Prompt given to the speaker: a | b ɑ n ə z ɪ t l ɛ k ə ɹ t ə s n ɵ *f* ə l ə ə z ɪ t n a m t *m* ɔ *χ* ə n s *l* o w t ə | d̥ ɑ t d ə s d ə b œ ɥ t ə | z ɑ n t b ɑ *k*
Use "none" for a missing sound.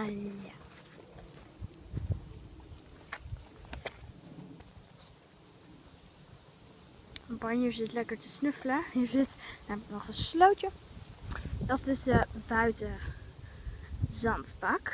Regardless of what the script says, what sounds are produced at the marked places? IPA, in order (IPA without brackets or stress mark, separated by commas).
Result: f, n, χ, l, k